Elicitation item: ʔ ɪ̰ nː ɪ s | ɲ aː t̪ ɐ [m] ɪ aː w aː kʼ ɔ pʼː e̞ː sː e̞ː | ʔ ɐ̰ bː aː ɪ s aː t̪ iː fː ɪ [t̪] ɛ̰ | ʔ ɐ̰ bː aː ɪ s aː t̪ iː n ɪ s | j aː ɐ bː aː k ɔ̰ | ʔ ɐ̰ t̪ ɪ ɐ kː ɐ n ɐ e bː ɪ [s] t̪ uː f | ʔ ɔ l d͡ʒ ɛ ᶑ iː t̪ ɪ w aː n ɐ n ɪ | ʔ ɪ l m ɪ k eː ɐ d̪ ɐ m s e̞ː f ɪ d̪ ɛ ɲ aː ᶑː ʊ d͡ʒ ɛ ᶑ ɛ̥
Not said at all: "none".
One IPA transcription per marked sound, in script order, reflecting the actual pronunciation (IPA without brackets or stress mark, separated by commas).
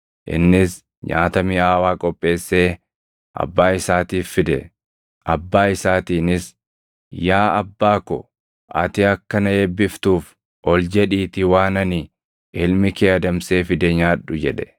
m, d̪, f